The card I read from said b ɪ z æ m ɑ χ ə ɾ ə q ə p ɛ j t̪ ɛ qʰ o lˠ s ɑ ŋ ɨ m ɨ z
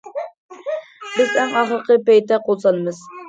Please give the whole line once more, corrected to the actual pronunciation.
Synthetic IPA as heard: b ɪ z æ ŋ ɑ χ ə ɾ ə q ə p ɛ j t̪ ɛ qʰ o lˠ s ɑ n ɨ m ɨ z